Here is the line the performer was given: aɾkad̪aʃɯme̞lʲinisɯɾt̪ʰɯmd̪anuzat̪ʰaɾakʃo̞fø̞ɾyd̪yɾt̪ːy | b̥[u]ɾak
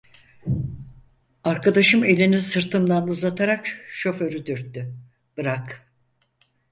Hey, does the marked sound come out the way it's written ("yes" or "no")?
no